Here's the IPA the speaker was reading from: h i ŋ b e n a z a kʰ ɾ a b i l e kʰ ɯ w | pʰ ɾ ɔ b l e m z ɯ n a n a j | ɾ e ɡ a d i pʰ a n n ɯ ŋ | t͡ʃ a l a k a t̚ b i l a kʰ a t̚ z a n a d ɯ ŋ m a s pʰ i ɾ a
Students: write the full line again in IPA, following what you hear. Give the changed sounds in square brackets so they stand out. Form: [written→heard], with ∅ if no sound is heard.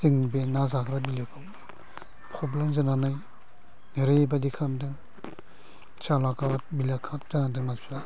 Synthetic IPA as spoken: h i ŋ b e n a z a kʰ ɾ a b i l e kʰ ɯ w | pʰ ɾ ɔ b l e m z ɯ n a n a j | ɾ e [ɡ→b] a d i [pʰ→kʰ] a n [n→d] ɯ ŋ | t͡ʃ a l a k a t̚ b i l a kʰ a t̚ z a n a d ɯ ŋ m a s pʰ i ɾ a